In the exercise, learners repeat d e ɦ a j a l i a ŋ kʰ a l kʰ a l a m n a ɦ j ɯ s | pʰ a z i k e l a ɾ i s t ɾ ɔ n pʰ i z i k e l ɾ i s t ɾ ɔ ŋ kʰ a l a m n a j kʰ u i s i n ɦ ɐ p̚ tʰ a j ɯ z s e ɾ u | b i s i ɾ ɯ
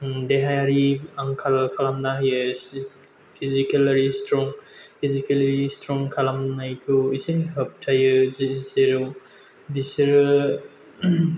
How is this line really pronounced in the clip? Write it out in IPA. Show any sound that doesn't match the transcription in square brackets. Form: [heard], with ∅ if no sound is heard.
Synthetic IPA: d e ɦ a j a [ɾ] i a ŋ kʰ a l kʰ a l a m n a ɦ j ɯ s | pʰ [i] z i k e l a ɾ i s t ɾ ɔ [ŋ] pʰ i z i k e l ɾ i s t ɾ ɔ ŋ kʰ a l a m n a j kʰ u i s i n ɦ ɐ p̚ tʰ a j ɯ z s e ɾ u | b i s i ɾ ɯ